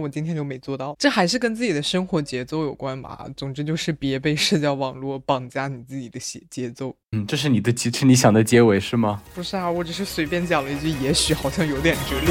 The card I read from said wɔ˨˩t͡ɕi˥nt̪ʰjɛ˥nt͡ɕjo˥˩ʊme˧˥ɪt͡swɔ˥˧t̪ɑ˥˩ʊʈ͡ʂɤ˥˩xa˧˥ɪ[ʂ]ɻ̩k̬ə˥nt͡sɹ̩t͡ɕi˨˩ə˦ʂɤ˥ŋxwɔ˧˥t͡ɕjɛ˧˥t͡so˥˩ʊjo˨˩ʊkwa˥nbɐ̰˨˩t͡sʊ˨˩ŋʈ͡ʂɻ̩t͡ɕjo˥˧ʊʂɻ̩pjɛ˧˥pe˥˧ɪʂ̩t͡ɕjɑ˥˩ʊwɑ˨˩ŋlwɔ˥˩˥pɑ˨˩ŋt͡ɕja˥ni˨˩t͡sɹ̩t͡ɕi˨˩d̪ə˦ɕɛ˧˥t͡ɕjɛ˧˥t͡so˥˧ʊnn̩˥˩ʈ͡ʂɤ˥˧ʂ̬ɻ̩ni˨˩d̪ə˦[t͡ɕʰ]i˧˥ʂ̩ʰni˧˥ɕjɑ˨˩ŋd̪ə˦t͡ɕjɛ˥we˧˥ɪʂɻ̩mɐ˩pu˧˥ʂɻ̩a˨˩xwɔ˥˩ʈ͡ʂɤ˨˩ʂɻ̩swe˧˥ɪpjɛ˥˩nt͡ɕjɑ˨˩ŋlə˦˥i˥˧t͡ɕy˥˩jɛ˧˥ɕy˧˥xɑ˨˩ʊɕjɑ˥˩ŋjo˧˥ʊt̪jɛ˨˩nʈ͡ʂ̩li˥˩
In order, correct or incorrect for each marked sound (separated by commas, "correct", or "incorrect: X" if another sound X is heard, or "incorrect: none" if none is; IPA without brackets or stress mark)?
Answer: correct, incorrect: t͡ɕ